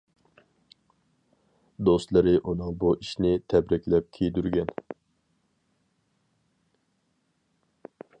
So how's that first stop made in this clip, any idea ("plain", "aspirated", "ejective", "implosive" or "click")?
plain